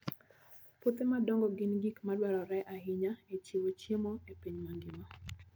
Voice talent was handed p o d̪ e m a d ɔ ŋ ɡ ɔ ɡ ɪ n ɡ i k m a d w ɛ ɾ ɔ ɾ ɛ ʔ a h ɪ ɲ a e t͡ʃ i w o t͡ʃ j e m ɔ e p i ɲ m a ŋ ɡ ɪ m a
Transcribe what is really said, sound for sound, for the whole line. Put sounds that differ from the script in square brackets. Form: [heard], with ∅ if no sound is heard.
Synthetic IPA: p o [t̪] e m a d ɔ ŋ ɡ ɔ ɡ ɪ n ɡ i k m a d w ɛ ɾ ɔ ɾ ɛ ʔ a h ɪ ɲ a e t͡ʃ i w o t͡ʃ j e m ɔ e p i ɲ m a ŋ ɡ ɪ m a